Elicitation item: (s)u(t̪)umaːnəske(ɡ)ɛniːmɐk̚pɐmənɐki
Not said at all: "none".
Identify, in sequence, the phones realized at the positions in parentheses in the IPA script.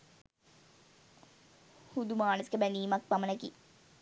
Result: h, d̪, b

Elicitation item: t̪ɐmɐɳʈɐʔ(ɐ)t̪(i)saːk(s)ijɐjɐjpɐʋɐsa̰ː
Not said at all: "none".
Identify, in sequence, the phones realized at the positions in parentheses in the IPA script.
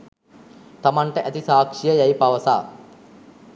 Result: ɐ, i, ʂ

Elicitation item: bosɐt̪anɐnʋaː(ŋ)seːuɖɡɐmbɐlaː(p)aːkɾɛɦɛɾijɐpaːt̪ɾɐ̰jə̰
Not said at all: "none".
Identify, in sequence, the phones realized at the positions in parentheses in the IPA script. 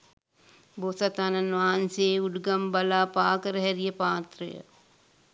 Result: n, p

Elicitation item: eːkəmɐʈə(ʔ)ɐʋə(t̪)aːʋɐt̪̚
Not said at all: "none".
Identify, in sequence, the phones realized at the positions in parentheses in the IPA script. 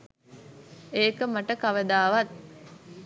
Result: k, d̪

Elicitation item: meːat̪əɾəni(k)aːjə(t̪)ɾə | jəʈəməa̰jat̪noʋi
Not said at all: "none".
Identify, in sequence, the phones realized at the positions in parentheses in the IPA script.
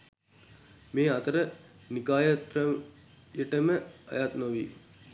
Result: k, t̪

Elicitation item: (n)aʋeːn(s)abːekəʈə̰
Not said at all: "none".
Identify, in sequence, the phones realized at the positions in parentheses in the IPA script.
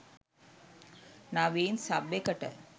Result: n, s

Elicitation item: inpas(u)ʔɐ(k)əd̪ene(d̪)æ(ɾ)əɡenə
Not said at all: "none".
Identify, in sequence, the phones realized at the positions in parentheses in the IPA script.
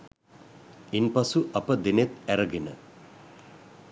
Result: u, p, t̪, ɾ

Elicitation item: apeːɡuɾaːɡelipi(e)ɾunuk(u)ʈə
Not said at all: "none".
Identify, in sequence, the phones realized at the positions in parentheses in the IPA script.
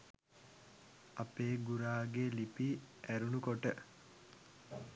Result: æ, o

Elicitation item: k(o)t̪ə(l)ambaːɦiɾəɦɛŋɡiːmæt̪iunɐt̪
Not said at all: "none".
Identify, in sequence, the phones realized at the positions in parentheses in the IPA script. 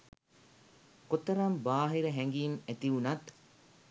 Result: o, ɾ

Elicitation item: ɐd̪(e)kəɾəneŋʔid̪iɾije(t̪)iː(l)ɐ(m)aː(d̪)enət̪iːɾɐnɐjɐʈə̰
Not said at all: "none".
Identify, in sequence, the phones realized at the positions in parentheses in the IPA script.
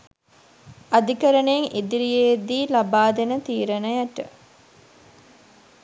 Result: i, d̪, l, b, d̪

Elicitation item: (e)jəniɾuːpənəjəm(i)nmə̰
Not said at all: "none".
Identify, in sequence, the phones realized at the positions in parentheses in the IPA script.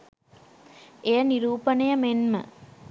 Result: e, e

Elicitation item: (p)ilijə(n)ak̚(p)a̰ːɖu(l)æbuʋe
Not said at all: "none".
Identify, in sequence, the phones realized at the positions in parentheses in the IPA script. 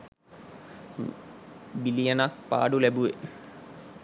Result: b, n, p, l

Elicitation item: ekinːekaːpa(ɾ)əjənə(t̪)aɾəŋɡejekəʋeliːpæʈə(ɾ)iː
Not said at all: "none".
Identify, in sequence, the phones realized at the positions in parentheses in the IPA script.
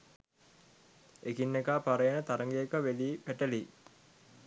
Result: ɾ, t̪, l

